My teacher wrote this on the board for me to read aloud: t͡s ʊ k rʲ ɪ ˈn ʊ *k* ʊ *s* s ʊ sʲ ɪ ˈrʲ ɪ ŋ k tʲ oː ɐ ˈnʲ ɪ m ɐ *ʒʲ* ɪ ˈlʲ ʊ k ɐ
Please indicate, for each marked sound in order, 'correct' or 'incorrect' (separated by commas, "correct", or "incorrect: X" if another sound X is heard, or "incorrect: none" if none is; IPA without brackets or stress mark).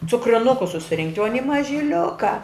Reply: correct, correct, correct